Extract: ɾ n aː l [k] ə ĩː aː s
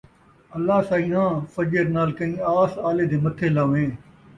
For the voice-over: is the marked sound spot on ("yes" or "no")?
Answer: yes